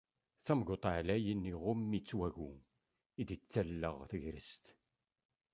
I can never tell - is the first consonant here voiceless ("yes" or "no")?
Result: yes